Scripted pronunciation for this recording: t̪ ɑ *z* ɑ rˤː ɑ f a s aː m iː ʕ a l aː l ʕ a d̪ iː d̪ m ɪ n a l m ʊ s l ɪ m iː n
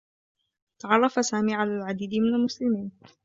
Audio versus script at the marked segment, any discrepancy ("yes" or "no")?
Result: yes